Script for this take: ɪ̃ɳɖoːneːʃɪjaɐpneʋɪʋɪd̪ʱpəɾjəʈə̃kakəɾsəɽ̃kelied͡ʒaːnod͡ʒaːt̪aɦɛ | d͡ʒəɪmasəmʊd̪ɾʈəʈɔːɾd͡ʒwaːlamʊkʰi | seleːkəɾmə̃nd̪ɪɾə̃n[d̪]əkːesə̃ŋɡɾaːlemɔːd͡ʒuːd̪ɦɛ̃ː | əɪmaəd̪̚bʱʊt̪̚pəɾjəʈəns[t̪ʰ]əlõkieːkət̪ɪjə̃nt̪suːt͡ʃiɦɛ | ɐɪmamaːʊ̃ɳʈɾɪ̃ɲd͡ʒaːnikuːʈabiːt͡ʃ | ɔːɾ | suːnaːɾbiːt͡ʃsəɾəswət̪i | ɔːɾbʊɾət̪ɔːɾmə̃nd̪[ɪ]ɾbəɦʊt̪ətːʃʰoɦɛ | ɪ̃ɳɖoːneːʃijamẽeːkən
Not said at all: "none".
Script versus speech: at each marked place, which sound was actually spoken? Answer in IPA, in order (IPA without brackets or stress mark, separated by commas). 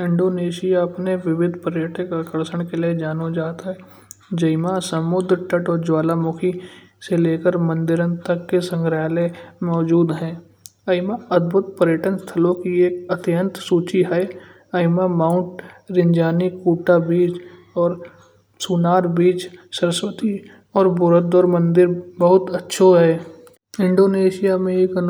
t̪, t̪ʰ, ɪ